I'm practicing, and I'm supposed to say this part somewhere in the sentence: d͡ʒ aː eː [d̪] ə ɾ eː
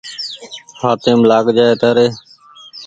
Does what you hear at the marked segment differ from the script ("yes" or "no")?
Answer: yes